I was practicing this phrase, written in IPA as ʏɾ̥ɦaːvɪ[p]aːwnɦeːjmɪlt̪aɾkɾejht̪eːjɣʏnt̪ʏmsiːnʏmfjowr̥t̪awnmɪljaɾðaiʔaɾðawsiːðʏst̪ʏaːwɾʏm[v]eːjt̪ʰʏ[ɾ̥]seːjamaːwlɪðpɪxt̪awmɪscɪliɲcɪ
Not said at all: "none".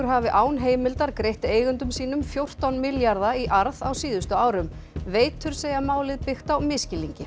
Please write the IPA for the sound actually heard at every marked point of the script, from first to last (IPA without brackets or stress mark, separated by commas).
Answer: ʔ, v, ɾ̥